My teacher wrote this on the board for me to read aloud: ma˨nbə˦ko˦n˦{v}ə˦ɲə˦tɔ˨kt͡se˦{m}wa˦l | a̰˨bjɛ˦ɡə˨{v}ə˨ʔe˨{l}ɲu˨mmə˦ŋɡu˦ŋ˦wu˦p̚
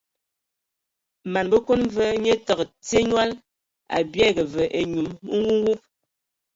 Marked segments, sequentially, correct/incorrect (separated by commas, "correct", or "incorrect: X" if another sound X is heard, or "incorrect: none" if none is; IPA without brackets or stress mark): correct, incorrect: ɲ, correct, incorrect: none